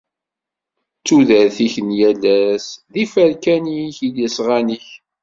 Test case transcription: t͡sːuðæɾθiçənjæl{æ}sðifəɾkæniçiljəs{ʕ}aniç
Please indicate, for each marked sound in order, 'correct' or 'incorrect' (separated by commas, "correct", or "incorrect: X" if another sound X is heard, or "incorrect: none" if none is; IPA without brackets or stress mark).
correct, incorrect: ʁ